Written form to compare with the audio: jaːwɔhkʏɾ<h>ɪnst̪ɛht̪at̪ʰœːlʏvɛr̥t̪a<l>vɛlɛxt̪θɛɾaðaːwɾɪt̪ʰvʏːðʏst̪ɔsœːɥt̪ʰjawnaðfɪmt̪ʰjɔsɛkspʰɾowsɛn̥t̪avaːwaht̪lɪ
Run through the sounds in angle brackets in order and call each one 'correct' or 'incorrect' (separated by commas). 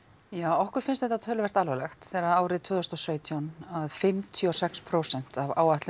incorrect, correct